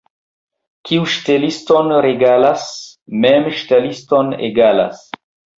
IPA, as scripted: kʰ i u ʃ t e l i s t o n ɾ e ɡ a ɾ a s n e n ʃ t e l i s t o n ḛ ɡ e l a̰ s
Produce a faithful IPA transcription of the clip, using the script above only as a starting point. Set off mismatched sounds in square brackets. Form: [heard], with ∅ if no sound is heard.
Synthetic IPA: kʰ i u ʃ t e l i s t o n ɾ e ɡ a [l] a s [m] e [m] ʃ t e l i s t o n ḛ ɡ [a] l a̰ s